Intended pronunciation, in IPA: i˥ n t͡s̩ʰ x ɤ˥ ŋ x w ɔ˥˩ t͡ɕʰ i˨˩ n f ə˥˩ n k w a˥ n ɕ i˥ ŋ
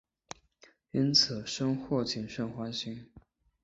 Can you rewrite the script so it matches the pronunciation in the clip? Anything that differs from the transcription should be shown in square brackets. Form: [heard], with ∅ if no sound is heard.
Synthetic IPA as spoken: i˥ n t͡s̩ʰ [ʂ] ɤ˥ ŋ x w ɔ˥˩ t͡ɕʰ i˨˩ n [ʂ] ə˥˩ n [x] w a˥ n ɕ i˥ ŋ